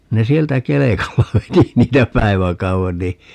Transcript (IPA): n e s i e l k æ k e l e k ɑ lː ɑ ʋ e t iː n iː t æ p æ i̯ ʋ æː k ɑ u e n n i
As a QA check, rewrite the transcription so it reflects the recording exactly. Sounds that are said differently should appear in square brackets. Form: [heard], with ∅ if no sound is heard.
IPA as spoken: n e s i e l [t] æ k e l e k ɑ lː ɑ ʋ e t [i] n iː t æ p æ i̯ ʋ [æ] k ɑ u e n n i